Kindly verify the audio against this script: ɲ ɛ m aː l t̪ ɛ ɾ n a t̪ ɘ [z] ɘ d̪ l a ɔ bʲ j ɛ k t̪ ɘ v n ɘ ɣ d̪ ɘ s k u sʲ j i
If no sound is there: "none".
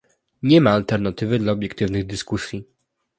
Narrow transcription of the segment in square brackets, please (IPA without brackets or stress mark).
v